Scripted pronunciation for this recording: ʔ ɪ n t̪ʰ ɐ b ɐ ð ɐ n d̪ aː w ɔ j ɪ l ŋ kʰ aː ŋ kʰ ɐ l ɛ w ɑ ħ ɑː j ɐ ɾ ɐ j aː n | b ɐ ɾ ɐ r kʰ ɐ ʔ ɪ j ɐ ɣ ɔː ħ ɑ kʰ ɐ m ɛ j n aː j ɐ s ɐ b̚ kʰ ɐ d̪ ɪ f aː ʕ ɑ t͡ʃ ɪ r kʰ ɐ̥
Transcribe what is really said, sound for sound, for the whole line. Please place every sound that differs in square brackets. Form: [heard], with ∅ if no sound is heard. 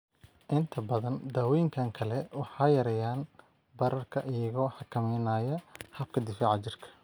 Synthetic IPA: ʔ ɪ n t̪ʰ ɐ b ɐ ð ɐ n d̪ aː w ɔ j ɪ [∅] ŋ kʰ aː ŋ kʰ ɐ l ɛ w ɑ ħ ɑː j ɐ ɾ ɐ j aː n | b ɐ ɾ ɐ r kʰ ɐ ʔ ɪ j ɐ ɣ ɔː ħ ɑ kʰ ɐ m ɛ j n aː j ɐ [h] ɐ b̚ kʰ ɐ d̪ ɪ f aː ʕ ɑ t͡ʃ ɪ r kʰ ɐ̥